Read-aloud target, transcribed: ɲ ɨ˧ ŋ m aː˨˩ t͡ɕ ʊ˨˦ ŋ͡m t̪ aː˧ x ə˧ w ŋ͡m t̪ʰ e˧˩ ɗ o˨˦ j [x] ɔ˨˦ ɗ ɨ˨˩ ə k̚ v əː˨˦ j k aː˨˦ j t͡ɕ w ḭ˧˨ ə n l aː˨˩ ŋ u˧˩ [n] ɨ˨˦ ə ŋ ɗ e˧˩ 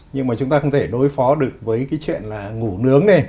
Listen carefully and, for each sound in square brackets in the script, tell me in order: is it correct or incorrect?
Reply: incorrect, correct

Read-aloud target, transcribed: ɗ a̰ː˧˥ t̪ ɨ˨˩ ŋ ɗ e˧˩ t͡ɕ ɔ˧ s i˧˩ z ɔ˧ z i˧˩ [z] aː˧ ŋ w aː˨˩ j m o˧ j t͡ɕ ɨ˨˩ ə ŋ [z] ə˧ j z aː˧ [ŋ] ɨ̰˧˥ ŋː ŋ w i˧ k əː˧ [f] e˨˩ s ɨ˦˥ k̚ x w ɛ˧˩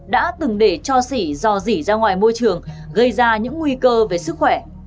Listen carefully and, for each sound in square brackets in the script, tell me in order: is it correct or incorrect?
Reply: correct, incorrect, incorrect, incorrect

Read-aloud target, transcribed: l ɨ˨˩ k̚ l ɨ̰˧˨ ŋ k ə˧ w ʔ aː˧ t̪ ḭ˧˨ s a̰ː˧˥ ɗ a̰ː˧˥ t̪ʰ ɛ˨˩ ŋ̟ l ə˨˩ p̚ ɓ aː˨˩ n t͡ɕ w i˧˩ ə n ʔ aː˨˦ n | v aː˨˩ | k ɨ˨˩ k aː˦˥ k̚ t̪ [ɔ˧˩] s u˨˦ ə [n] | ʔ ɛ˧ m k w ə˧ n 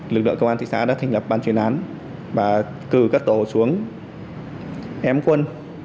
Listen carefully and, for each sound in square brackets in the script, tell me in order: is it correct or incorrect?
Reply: incorrect, incorrect

